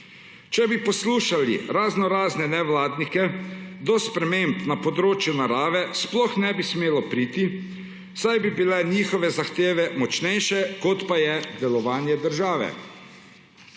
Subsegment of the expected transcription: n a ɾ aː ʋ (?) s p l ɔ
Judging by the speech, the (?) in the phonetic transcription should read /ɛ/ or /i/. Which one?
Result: ɛ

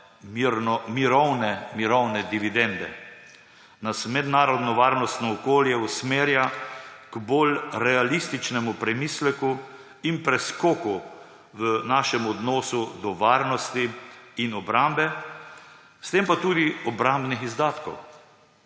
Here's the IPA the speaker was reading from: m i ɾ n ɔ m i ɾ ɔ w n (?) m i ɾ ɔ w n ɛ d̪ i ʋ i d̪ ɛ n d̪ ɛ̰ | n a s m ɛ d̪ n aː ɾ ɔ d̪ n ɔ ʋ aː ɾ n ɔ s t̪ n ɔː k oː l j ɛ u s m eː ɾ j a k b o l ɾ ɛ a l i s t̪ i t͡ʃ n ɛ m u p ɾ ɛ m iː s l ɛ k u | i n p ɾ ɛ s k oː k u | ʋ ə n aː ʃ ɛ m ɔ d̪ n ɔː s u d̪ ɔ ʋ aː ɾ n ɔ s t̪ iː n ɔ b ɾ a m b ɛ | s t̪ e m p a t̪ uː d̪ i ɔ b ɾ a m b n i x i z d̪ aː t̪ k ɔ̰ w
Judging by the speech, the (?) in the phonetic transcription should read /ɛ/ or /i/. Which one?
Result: ɛ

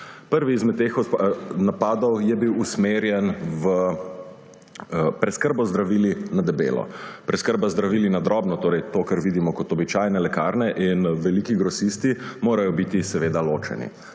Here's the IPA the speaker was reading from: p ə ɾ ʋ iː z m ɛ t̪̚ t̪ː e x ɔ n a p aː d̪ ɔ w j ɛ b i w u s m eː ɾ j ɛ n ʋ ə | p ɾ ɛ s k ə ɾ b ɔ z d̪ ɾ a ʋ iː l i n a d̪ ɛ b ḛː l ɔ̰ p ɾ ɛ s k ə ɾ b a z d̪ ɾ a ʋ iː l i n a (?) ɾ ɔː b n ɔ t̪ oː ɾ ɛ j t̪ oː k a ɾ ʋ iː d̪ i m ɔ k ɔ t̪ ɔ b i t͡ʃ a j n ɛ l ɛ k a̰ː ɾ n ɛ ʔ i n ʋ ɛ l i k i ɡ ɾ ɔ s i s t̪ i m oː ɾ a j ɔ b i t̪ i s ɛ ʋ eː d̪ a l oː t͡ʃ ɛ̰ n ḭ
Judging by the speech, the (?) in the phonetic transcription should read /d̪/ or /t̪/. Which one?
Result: d̪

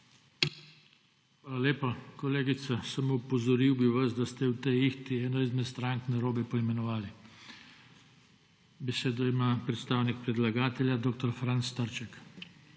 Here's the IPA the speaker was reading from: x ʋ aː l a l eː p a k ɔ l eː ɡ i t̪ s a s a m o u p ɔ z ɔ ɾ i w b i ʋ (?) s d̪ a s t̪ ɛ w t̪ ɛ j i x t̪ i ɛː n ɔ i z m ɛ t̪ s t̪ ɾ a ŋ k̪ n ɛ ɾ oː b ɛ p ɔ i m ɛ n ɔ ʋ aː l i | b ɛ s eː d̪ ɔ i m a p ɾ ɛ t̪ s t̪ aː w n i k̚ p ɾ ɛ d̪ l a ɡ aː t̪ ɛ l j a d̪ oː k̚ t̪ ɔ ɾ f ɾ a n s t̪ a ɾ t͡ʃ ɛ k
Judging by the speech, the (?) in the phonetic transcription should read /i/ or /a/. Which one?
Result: a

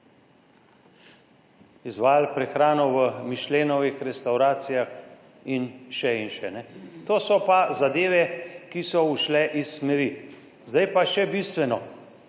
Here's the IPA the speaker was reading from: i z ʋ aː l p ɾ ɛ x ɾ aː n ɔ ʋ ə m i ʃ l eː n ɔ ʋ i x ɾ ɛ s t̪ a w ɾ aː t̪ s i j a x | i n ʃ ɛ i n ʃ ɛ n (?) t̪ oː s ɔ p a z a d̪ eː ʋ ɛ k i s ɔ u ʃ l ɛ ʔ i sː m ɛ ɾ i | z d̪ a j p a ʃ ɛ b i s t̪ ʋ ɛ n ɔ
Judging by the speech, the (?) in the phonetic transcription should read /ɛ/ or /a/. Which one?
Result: ɛ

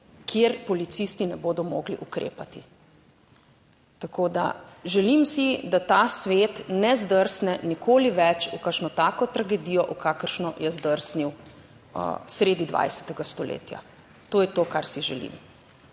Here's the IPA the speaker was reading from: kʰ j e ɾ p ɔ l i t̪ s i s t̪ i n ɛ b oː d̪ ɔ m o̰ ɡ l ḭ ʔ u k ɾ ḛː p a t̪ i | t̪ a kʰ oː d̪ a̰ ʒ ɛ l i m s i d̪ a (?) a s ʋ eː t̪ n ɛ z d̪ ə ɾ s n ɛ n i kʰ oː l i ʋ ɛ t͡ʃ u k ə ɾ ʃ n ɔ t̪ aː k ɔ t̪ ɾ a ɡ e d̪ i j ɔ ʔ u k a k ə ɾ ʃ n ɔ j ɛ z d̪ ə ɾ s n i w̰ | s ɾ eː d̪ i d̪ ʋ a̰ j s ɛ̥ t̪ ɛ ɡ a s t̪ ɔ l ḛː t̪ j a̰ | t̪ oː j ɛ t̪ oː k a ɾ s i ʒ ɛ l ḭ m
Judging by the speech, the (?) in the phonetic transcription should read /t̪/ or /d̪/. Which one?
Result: t̪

